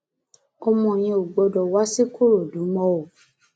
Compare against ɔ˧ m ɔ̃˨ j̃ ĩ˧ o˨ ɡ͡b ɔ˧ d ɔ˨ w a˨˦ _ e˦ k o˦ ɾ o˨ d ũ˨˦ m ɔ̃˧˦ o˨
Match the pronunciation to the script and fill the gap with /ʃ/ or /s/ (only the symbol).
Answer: s